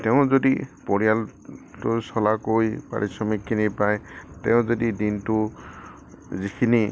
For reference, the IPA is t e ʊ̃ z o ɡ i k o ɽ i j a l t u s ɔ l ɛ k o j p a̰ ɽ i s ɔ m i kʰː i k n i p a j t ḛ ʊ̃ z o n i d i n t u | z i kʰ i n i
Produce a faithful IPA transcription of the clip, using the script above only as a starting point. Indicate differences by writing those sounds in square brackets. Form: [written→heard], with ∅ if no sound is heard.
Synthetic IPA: t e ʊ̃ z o [ɡ→d] i [k→p] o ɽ i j a l t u s ɔ l [ɛ→a] k o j p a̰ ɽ i s ɔ m i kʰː i [k→∅] n i p a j t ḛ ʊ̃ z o [n→d] i d i n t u | z i kʰ i n i

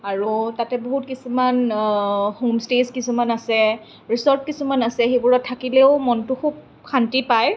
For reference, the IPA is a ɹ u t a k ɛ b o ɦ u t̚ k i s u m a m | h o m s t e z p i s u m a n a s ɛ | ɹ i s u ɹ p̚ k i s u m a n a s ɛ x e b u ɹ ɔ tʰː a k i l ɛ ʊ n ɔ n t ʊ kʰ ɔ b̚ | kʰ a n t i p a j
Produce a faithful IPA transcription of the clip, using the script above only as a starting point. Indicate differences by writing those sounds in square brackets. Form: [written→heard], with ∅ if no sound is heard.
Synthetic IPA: a ɹ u t a [k→t] ɛ b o ɦ u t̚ k i s u m a [m→n] | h o m s t e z [p→k] i s u m a n a s ɛ | ɹ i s [u→ɔ] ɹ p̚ k i s u m a n a s ɛ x e b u ɹ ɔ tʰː a k i l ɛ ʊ [n→m] ɔ n t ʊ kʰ [ɔ→u] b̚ | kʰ a n t i p a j

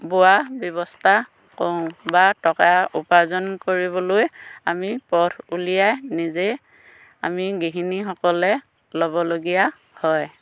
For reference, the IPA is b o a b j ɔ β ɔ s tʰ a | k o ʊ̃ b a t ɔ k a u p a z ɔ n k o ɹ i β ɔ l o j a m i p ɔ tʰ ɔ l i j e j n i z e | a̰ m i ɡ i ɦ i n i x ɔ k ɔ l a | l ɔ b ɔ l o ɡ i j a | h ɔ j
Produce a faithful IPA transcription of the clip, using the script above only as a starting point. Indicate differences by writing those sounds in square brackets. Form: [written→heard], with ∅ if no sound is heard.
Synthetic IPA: b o a b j ɔ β ɔ s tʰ a | k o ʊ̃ b a t ɔ k a u p a z ɔ n k o ɹ i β ɔ l o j a m i p ɔ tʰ [ɔ→u] l i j [e→a] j n i z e | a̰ m i ɡ i ɦ i n i x ɔ k ɔ l [a→ɛ] | l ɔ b ɔ l o ɡ i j a | h ɔ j

